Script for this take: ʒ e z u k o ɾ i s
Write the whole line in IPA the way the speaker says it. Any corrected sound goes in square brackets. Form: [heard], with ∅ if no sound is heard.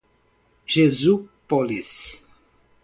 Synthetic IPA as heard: ʒ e z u [p] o [l] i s

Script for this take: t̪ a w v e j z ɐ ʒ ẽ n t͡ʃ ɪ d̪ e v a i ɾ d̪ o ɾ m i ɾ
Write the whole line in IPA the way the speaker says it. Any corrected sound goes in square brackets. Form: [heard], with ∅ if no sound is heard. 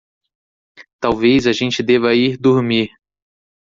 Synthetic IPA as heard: t̪ a w v e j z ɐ ʒ ẽ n t͡ʃ ɪ d̪ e v [ɐ] i ɾ d̪ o ɾ m i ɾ

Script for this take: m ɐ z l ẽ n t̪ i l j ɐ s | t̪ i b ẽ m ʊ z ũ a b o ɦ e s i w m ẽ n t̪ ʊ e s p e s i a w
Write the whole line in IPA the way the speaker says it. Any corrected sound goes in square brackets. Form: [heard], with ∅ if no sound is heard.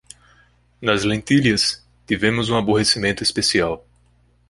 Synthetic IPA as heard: [n] ɐ z l ẽ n t̪ i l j ɐ s | t̪ i [v] ẽ m ʊ z ũ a b o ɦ e s i [∅] m ẽ n t̪ ʊ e s p e s i a w

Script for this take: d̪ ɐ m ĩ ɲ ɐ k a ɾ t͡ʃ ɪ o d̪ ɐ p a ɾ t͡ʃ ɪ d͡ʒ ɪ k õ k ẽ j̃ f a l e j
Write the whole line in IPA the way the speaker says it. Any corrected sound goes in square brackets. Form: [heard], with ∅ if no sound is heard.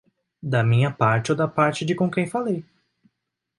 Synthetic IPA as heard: d̪ ɐ m ĩ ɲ ɐ [p] a ɾ t͡ʃ ɪ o d̪ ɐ p a ɾ t͡ʃ ɪ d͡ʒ ɪ k õ k ẽ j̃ f a l e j

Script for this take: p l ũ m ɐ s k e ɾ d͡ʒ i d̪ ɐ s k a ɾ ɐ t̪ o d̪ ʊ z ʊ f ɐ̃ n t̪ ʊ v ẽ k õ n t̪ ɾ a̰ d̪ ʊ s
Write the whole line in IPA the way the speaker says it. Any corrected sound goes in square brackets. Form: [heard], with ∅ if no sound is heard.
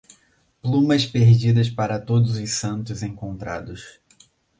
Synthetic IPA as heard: p l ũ m ɐ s [p] e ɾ d͡ʒ i d̪ ɐ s [p] a ɾ ɐ t̪ o d̪ ʊ z ʊ [s] ɐ̃ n t̪ ʊ [z] ẽ k õ n t̪ ɾ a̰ d̪ ʊ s

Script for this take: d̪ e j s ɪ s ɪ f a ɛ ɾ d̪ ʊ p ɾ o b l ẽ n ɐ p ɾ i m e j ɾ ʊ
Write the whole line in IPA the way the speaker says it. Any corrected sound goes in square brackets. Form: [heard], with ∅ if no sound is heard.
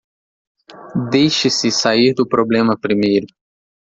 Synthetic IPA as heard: d̪ e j [ʃ] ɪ s ɪ [s] a [i] ɾ d̪ ʊ p ɾ o b l ẽ [m] ɐ p ɾ i m e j ɾ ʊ

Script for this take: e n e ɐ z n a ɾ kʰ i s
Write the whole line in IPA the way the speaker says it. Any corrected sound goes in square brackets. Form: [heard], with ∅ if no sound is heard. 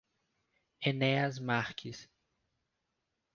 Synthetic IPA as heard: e n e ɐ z [m] a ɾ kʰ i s

